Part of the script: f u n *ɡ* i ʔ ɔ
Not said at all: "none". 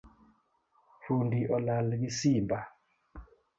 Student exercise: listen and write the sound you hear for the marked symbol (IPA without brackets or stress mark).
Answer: d